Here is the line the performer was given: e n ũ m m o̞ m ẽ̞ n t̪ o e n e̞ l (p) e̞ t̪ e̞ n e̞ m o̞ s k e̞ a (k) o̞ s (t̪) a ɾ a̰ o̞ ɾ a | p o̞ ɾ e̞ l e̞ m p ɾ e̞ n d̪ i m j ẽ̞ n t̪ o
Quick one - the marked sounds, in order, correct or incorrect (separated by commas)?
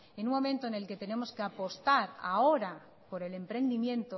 incorrect, incorrect, correct